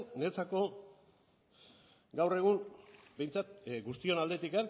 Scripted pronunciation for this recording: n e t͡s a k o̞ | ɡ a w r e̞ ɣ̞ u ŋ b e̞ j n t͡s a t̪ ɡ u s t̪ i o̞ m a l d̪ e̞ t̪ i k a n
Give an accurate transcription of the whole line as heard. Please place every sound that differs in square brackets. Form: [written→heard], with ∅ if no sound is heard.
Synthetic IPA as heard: n e t͡s a k o̞ | ɡ a w r e̞ ɣ̞ u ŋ b e̞ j n t͡s a t̪ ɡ u s t̪ i o̞ [m→n] a l d̪ e̞ t̪ i k a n